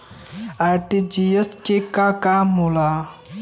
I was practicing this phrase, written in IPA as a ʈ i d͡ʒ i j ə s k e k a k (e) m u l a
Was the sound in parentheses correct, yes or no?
no